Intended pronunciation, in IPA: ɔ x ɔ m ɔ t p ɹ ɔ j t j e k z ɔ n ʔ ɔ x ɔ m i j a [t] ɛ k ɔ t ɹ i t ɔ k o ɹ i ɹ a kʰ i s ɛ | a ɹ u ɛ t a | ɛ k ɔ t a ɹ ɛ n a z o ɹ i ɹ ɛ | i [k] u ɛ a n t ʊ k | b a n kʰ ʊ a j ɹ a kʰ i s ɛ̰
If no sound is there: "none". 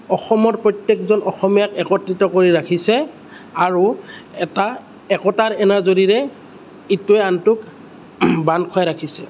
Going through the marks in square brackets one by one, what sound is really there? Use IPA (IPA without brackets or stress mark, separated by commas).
k, t